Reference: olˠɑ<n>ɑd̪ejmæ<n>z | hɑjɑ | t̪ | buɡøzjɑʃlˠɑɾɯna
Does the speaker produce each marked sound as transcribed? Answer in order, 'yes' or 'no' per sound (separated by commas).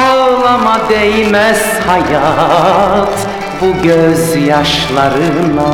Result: no, no